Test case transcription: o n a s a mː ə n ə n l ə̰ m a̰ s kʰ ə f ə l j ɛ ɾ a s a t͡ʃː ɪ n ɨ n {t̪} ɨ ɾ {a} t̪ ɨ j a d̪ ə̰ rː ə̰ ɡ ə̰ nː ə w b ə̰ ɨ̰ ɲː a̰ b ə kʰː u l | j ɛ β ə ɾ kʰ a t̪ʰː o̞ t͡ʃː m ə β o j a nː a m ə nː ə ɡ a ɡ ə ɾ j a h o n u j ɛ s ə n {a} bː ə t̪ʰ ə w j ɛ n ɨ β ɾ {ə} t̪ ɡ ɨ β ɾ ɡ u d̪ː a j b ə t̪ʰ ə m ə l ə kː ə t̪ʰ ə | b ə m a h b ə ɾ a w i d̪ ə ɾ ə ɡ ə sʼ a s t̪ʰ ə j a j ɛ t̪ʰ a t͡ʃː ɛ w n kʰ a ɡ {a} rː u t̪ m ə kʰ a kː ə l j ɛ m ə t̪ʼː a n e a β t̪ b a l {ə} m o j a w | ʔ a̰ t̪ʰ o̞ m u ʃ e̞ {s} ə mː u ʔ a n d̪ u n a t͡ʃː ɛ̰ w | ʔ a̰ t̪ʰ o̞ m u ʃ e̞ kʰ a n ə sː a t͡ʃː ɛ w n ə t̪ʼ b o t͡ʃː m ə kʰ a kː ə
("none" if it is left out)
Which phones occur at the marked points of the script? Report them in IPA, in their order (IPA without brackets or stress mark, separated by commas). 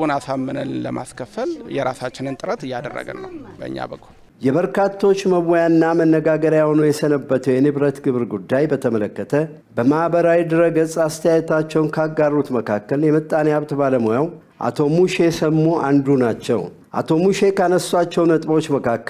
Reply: t̪ʼ, ə, ə, ə, a, ə, s